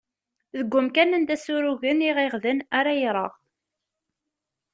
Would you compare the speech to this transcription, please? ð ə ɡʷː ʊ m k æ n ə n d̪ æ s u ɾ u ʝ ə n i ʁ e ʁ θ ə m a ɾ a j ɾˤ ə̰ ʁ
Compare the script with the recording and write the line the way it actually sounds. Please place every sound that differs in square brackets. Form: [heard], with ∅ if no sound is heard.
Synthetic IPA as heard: ð ə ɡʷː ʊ m k æ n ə n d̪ æ s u ɾ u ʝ ə n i ʁ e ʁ [ð] ə [n] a ɾ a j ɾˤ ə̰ ʁ